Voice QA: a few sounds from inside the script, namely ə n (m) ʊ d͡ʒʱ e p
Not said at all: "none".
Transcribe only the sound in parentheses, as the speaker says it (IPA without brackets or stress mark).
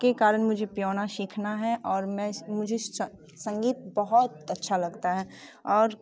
m